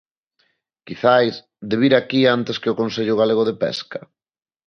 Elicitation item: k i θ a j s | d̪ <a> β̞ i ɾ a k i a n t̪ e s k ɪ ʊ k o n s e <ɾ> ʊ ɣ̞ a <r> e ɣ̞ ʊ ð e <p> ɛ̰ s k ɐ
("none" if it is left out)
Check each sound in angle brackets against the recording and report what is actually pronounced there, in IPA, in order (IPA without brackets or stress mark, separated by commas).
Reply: e, ʎ, l, p